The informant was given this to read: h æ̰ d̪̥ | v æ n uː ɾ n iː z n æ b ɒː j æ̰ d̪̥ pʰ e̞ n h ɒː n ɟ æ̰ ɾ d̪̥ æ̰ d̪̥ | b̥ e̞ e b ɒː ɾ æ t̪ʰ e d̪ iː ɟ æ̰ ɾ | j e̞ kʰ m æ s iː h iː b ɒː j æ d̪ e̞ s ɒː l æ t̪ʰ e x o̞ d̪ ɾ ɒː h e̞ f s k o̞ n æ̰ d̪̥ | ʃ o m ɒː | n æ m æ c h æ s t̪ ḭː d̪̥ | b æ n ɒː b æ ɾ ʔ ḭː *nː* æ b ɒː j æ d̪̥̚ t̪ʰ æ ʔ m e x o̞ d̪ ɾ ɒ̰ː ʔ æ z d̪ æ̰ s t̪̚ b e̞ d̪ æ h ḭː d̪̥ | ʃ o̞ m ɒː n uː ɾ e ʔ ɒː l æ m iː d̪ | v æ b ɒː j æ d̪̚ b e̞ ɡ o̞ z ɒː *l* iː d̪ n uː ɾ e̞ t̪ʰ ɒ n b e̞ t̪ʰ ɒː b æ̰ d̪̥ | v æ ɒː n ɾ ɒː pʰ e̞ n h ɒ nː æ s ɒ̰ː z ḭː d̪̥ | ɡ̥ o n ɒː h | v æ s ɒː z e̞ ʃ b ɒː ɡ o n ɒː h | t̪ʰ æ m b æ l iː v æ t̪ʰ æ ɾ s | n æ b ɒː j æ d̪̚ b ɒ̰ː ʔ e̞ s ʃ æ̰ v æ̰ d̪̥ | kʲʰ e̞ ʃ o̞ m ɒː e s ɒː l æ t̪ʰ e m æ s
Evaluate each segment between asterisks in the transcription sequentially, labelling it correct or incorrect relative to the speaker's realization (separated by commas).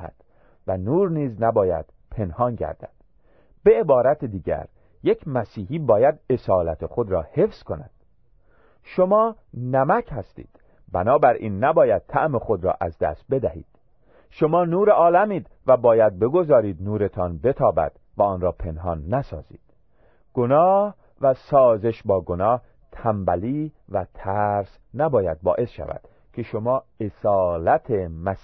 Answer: correct, incorrect